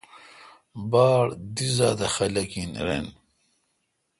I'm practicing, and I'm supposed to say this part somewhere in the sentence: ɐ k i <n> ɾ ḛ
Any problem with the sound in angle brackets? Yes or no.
no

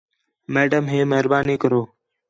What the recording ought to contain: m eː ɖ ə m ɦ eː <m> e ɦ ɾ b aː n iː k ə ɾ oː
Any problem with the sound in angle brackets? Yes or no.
no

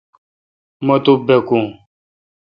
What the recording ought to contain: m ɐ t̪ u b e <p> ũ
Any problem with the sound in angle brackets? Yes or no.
yes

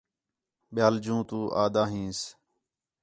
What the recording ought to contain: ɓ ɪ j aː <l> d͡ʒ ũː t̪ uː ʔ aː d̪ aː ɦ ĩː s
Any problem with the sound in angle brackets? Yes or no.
no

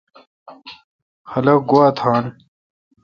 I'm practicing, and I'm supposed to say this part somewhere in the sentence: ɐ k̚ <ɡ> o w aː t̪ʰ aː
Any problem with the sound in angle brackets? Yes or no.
no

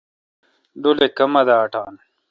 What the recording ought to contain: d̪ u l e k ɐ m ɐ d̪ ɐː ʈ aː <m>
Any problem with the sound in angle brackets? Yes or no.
yes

